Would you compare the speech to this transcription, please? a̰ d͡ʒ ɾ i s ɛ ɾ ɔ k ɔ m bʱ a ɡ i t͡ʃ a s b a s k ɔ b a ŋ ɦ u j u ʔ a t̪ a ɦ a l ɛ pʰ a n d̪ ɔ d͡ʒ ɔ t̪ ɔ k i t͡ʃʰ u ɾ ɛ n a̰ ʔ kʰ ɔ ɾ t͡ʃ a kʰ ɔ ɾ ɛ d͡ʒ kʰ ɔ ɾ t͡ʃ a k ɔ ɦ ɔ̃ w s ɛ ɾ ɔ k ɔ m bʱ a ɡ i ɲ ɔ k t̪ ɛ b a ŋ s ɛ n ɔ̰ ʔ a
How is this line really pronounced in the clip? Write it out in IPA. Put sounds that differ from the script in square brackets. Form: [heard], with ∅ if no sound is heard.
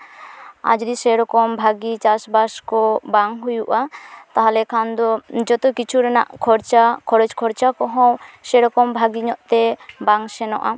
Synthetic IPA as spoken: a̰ d͡ʒ ɾ i s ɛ ɾ ɔ k ɔ m bʱ a ɡ i t͡ʃ a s b a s k ɔ b a ŋ ɦ u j u ʔ a t̪ a ɦ a l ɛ [kʰ] a n d̪ ɔ d͡ʒ ɔ t̪ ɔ k i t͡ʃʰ u ɾ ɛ n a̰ ʔ kʰ ɔ ɾ t͡ʃ a kʰ ɔ ɾ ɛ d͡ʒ kʰ ɔ ɾ t͡ʃ a k ɔ ɦ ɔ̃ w s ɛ ɾ ɔ k ɔ m bʱ a ɡ i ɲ ɔ [ʔ] t̪ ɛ b a ŋ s ɛ n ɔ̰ ʔ a